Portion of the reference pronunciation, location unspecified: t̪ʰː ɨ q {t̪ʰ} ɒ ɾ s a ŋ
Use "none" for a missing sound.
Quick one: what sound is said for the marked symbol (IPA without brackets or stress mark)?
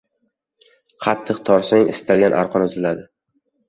t̪ʰ